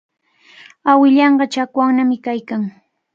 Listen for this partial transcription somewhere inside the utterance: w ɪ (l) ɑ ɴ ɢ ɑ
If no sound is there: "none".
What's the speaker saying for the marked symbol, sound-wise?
ʎ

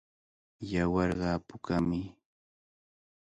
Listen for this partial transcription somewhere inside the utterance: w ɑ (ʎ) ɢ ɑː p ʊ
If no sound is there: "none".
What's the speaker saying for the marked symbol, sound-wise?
ɾ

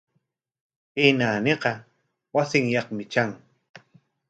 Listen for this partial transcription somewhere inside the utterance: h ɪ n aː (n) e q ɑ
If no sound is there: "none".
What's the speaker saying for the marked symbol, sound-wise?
n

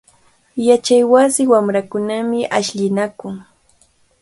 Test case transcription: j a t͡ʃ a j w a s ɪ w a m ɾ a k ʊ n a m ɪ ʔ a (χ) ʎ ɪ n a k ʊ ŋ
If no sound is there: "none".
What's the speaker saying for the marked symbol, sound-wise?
ʃ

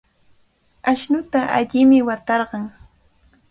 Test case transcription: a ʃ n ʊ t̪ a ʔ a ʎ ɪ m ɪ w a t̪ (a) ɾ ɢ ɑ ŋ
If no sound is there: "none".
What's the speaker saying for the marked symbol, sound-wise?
ɑ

